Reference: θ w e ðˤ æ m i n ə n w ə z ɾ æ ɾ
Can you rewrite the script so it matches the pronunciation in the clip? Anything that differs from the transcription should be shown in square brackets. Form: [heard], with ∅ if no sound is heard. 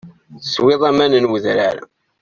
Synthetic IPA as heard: [s] w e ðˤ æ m [æ] n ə n w ə [ð] ɾ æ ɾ